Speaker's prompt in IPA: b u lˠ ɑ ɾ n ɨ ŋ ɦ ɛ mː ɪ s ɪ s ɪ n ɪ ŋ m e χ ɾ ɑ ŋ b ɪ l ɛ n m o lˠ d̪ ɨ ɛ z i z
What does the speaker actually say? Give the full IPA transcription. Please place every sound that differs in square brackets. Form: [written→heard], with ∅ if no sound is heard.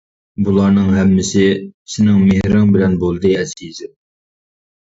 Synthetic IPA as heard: b u lˠ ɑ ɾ n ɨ ŋ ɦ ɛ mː ɪ s ɪ s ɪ n ɪ ŋ m e [χ→h] ɾ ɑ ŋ b ɪ l ɛ n [m→b] o lˠ d̪ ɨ ɛ z i z

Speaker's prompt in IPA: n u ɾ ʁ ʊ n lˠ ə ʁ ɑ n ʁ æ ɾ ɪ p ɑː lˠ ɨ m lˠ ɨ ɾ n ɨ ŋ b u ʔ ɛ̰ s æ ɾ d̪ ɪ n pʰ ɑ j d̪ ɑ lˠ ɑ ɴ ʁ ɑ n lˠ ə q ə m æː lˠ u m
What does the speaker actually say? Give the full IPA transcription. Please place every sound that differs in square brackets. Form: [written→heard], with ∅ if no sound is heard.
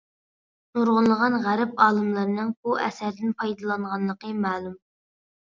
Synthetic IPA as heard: n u ɾ ʁ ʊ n lˠ ə ʁ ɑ n ʁ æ ɾ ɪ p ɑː lˠ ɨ m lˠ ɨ ɾ n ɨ ŋ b u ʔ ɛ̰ s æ ɾ d̪ ɪ n pʰ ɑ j d̪ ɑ lˠ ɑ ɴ ʁ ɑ n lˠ ə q ə m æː lˠ u m

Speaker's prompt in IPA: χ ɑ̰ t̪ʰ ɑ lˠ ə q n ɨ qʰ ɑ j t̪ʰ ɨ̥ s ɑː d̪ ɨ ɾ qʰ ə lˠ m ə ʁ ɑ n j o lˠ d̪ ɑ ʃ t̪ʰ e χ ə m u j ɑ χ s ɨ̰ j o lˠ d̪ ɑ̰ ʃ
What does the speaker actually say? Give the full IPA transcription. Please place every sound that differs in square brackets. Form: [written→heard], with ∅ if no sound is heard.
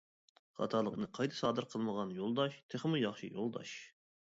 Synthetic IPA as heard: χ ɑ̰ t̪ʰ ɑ lˠ ə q n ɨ qʰ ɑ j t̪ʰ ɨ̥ s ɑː d̪ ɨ ɾ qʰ ə lˠ m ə ʁ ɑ n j o lˠ d̪ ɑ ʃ t̪ʰ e χ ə m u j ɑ χ [s→ʃ] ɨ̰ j o lˠ d̪ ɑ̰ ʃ

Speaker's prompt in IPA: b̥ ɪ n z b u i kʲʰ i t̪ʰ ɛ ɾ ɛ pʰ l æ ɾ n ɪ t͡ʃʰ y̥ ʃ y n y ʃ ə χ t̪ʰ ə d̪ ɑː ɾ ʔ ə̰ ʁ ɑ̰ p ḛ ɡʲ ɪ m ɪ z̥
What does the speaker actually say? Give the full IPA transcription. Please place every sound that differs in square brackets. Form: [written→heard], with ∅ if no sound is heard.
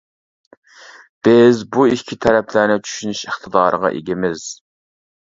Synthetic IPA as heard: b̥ ɪ [n→∅] z b u i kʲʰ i t̪ʰ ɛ ɾ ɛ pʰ l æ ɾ n ɪ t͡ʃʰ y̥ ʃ y n y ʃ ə χ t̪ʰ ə d̪ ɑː ɾ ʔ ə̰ ʁ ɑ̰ [p→ʔ] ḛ ɡʲ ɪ m ɪ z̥

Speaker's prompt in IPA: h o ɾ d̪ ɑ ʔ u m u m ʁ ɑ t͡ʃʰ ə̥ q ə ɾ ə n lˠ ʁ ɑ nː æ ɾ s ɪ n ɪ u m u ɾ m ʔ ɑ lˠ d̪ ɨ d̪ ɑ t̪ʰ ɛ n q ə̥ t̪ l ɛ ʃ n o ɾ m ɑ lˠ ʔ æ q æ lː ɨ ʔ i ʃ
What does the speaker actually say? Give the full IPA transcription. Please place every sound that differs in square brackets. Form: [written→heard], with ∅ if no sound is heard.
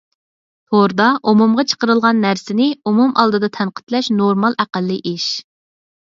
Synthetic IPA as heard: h o ɾ d̪ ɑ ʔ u m u m ʁ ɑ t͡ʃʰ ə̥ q ə ɾ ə [n→∅] lˠ ʁ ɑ nː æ ɾ s ɪ n ɪ u m u [ɾ→∅] m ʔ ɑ lˠ d̪ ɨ d̪ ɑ t̪ʰ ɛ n q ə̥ t̪ l ɛ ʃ n o ɾ m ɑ lˠ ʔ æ q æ lː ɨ ʔ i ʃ

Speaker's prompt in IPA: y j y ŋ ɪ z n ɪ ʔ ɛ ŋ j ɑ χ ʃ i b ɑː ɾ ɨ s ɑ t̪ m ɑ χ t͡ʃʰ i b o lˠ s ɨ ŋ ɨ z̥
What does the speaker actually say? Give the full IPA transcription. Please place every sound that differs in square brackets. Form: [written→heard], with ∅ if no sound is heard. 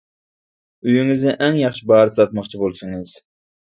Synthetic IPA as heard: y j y ŋ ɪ z n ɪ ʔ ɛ ŋ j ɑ χ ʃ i b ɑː ɾ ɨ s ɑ t̪ m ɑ χ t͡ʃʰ i b o lˠ s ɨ ŋ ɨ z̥

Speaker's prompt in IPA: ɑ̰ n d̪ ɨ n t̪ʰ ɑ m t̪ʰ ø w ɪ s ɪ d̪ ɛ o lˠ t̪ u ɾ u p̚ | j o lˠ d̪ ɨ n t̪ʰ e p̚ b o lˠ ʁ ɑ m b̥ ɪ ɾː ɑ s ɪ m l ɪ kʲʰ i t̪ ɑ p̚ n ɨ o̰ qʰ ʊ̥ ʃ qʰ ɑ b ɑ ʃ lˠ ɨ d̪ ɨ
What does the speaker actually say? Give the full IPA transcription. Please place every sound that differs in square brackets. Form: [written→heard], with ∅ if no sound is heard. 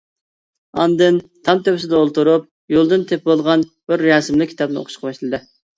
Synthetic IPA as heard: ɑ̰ n d̪ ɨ n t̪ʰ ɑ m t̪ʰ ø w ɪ s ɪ d̪ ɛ o lˠ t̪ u ɾ u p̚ | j o lˠ d̪ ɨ n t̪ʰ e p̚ b o lˠ ʁ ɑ [m→n] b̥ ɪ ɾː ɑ s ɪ m l ɪ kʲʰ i t̪ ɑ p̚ n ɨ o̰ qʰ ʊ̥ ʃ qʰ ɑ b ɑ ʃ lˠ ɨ d̪ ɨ

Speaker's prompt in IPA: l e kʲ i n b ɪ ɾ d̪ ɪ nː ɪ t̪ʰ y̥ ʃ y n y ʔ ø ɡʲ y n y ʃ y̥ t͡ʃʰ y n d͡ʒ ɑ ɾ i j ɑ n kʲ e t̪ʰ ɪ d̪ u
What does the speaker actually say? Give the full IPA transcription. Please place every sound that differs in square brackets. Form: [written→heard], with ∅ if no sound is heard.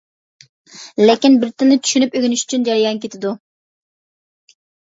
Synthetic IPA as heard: l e kʲ i n b ɪ ɾ [d̪→t̪] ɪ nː ɪ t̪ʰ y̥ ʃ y n y [ʔ→p] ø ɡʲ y n y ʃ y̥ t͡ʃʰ y n d͡ʒ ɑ ɾ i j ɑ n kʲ e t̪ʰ ɪ d̪ u

